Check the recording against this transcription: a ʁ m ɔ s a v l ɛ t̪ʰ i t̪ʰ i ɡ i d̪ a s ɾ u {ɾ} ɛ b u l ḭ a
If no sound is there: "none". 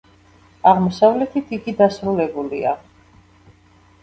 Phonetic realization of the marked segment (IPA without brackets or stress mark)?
l